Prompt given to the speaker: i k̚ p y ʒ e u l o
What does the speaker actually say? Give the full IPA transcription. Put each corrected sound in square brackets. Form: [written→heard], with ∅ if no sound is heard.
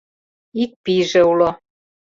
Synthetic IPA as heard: i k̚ p [y→i] ʒ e u l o